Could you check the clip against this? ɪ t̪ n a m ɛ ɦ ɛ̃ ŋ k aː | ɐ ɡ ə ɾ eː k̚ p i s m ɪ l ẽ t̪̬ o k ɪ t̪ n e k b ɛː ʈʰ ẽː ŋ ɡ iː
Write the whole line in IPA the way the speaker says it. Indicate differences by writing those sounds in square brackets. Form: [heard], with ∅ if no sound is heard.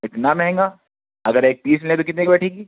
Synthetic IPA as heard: ɪ t̪ n a m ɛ ɦ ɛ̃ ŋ [ɡ] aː | ɐ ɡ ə ɾ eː k̚ p [iː] s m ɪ l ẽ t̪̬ o k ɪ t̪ n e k b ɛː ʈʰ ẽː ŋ ɡ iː